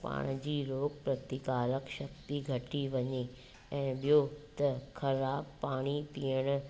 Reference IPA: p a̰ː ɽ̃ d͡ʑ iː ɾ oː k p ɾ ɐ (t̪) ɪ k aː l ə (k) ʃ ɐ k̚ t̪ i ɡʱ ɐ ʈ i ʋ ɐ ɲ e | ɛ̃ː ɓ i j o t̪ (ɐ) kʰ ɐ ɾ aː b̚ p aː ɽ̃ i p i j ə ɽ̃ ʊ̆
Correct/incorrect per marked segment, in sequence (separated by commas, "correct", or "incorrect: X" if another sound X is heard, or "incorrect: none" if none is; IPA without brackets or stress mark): correct, correct, correct